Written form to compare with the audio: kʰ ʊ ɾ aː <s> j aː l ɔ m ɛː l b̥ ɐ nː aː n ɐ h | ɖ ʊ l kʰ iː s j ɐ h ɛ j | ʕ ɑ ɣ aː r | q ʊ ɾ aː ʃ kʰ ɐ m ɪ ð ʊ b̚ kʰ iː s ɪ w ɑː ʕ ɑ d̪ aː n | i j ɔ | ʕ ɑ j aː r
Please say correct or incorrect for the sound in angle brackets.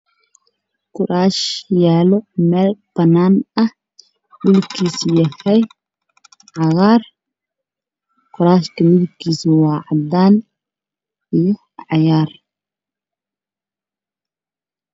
incorrect